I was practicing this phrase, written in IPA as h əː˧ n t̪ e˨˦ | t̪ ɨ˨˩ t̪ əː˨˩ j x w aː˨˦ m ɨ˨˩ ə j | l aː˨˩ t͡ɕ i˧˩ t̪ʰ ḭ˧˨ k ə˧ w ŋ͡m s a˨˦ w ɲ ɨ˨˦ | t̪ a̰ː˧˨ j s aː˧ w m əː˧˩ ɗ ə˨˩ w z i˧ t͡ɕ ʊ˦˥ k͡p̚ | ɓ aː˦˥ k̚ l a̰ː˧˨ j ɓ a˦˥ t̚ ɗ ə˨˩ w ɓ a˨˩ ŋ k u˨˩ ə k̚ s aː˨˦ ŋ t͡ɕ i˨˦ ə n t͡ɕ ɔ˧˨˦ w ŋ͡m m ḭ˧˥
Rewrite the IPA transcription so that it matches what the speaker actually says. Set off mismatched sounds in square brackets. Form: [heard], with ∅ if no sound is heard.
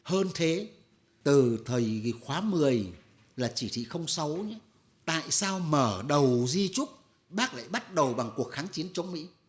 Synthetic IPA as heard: h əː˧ n [t̪ʰ] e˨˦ | t̪ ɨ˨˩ [t̪ʰ] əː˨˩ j x w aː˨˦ m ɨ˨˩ ə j | l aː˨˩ t͡ɕ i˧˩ t̪ʰ ḭ˧˨ [x] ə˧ w ŋ͡m s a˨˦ w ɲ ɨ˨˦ | t̪ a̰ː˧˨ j s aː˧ w m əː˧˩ ɗ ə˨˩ w z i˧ t͡ɕ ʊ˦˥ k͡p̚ | ɓ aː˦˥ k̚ l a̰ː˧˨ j ɓ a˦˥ t̚ ɗ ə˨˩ w ɓ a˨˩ ŋ k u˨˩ ə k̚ [x] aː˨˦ ŋ t͡ɕ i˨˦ ə n t͡ɕ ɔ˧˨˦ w ŋ͡m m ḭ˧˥